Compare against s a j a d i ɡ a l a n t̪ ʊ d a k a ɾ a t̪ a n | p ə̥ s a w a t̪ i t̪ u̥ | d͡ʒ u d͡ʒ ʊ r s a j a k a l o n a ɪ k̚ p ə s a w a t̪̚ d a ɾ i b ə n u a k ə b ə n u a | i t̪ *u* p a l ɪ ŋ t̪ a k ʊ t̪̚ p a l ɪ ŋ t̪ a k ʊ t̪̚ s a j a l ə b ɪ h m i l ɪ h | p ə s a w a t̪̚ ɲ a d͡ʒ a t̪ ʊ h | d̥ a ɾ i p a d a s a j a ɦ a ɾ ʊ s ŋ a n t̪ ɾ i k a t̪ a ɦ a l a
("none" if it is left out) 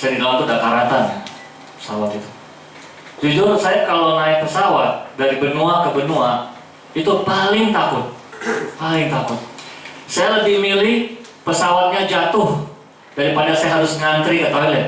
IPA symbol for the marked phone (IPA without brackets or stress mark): u